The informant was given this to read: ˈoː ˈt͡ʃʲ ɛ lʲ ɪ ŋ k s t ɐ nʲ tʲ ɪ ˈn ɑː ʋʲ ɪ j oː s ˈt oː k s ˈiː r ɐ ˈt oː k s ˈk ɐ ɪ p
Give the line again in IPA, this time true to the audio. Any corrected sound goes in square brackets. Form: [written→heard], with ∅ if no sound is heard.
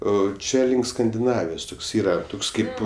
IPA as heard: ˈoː ˈt͡ʃʲ ɛ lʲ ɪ ŋ k s [t→k] ɐ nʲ [tʲ→dʲ] ɪ ˈn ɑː ʋʲ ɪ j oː s ˈt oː k s ˈiː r ɐ ˈt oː k s ˈk ɐ ɪ p

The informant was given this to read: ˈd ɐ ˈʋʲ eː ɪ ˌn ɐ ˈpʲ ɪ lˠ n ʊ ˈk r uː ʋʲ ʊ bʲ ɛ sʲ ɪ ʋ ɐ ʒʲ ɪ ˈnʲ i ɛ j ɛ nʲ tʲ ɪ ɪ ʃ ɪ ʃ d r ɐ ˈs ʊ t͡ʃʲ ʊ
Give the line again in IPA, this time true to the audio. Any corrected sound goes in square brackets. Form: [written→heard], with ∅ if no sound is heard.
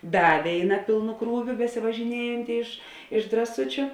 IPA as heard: ˈd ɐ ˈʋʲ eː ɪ ˌn ɐ ˈpʲ ɪ lˠ n ʊ ˈk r uː ʋʲ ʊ bʲ ɛ sʲ ɪ ʋ ɐ ʒʲ ɪ ˈnʲ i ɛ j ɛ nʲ tʲ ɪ ɪ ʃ ɪ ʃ d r ɐ ˈs ʊ t͡ʃʲ ʊ

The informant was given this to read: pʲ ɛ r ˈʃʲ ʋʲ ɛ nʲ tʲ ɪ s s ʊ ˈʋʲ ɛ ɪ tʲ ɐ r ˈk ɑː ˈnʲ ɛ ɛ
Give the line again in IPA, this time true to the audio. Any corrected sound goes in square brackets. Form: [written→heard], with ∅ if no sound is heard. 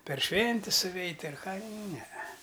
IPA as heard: pʲ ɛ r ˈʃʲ ʋʲ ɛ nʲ tʲ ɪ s s ʊ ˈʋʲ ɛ ɪ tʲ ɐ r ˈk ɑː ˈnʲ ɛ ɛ

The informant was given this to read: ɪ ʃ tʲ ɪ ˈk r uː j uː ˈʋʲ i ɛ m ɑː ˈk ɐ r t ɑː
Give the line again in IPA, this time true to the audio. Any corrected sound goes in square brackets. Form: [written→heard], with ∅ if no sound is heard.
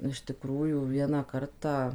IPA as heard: ɪ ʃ tʲ ɪ ˈk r uː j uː ˈʋʲ i ɛ [m→n] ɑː ˈk ɐ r t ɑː

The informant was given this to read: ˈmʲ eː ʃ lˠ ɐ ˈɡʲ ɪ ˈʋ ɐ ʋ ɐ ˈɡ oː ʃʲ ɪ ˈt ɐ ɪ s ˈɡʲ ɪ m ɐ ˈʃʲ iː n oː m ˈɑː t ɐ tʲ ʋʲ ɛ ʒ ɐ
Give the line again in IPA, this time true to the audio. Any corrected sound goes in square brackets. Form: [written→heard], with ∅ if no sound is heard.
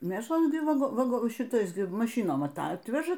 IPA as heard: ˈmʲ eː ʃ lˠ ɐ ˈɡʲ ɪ ˈʋ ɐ ʋ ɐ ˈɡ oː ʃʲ ɪ ˈt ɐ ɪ s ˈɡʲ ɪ m ɐ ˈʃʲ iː n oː m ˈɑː t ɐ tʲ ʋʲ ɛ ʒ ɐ

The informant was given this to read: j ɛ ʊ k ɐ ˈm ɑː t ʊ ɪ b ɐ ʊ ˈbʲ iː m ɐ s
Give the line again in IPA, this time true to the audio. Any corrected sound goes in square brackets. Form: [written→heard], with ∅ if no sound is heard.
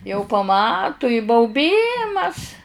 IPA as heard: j ɛ ʊ [k→p] ɐ ˈm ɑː t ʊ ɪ b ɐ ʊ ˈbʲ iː m ɐ s

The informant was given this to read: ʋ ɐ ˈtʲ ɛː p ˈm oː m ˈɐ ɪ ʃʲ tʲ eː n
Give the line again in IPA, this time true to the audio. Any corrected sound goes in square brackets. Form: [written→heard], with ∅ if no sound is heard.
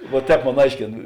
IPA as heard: ʋ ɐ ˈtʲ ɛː p ˈm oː [m→n] ˈɐ ɪ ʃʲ [tʲ→kʲ] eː n

